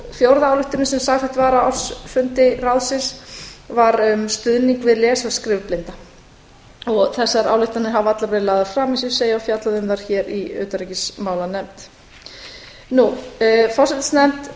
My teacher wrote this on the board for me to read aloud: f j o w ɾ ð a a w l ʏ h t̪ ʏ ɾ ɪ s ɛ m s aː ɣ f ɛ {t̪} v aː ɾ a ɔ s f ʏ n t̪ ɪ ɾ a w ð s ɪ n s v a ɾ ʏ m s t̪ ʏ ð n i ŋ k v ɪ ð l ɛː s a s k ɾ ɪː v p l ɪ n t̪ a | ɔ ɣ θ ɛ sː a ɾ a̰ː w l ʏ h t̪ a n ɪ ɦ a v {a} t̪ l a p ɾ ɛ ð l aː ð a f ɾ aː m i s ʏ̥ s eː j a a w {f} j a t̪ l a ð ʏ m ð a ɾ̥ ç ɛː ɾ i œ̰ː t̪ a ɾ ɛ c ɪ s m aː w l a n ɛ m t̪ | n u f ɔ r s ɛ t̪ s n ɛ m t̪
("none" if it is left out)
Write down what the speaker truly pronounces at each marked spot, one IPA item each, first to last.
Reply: t̪, a, f

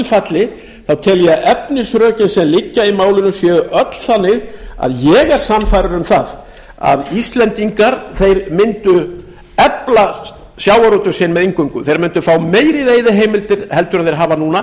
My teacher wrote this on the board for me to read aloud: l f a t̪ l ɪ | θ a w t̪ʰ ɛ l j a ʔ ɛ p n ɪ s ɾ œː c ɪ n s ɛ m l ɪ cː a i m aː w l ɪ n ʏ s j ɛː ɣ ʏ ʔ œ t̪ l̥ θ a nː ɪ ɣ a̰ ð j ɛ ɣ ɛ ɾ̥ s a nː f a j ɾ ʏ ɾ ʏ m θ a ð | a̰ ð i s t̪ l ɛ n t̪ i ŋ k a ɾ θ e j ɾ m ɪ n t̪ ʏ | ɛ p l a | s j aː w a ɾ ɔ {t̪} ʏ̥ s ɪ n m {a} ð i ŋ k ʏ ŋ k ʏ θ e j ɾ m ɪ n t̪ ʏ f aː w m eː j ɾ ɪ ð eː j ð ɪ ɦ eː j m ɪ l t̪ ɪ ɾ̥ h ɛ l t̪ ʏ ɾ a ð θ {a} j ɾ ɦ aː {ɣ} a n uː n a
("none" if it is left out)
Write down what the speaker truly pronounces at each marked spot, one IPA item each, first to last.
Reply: t̪, ɛ, e, v

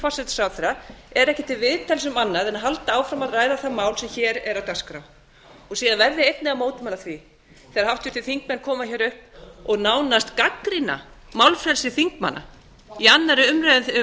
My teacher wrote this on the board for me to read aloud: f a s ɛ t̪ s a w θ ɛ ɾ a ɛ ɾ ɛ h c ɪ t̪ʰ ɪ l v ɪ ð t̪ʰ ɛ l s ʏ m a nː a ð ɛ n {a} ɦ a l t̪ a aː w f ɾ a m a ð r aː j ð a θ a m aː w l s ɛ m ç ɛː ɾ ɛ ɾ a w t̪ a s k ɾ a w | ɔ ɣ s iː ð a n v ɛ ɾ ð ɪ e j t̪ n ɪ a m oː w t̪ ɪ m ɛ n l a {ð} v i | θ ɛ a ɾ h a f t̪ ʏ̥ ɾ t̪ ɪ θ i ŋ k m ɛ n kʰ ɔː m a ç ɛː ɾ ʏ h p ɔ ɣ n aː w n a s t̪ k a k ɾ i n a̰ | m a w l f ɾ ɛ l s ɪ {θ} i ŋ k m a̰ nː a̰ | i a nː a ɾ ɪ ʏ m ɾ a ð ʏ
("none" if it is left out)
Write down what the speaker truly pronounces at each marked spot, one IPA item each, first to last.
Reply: a, θ, θ

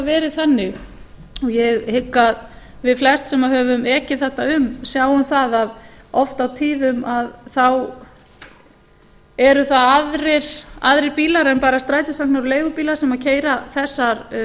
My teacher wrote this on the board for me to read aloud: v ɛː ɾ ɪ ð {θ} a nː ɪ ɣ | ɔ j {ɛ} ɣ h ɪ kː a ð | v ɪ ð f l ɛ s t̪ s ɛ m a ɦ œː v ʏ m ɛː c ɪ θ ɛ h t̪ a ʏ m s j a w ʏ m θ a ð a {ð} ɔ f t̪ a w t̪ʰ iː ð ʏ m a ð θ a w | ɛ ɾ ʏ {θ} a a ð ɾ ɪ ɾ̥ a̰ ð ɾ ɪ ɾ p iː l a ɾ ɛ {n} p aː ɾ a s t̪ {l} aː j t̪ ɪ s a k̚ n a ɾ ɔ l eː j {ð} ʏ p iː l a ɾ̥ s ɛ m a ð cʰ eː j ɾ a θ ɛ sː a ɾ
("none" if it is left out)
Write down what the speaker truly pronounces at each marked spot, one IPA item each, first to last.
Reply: θ, ɛ, ð, θ, n, ɾ, ɣ

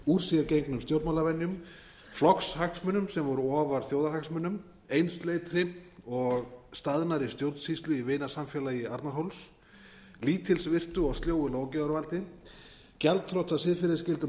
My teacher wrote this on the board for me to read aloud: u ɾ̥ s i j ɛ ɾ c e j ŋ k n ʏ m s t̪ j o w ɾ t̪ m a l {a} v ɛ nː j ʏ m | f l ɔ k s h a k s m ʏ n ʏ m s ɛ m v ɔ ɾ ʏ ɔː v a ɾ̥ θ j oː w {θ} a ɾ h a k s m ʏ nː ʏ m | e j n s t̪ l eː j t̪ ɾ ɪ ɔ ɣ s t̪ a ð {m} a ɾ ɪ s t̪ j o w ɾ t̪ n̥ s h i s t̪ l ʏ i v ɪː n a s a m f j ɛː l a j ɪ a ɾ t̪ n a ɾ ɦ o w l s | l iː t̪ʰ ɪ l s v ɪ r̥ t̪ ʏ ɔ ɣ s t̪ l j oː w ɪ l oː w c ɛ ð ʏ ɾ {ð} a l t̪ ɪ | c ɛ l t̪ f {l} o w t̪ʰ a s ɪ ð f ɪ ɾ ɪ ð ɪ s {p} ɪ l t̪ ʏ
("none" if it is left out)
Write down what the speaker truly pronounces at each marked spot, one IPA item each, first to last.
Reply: a, ð, n, v, ɾ, c

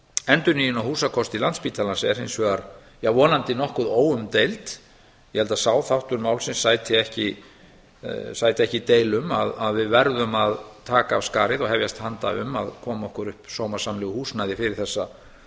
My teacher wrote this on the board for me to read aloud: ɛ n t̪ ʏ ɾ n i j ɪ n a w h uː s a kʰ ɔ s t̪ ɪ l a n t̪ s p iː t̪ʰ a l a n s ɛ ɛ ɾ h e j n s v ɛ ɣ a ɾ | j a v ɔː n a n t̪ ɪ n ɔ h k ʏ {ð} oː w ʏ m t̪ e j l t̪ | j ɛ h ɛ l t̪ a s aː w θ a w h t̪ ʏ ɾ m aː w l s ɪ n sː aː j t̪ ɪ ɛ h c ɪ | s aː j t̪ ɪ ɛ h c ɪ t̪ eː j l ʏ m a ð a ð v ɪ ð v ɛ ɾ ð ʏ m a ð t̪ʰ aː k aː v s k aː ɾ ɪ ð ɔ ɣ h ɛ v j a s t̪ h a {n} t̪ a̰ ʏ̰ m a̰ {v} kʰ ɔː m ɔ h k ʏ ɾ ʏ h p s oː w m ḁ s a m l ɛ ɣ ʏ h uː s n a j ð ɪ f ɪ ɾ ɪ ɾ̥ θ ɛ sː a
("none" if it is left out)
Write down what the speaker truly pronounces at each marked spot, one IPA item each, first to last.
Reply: ð, n, ð

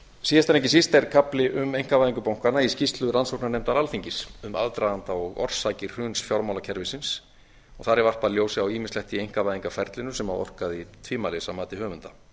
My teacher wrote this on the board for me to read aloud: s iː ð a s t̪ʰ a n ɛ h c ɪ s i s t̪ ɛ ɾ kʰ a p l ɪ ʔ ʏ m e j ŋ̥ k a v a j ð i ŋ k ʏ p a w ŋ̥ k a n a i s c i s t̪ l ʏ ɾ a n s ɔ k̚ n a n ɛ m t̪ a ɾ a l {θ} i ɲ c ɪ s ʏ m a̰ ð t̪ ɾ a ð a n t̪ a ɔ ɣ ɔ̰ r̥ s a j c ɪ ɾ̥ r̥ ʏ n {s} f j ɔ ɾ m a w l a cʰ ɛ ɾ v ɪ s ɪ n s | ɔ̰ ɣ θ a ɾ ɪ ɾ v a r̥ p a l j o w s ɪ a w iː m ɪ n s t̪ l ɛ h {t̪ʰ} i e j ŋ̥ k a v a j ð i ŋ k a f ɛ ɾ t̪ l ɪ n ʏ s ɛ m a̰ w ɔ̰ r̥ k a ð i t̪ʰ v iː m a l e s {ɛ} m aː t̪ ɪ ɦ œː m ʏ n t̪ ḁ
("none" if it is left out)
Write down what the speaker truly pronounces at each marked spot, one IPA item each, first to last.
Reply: f, s, t̪, a

